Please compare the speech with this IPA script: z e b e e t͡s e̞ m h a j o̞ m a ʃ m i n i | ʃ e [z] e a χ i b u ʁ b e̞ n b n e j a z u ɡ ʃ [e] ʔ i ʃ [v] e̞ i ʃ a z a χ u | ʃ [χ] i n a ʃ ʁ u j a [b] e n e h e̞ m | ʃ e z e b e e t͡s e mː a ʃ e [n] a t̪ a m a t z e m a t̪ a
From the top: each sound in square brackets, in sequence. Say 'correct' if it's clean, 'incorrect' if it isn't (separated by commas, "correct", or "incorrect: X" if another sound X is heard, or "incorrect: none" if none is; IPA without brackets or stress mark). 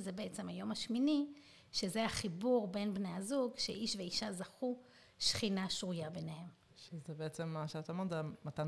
correct, correct, correct, correct, correct, incorrect: none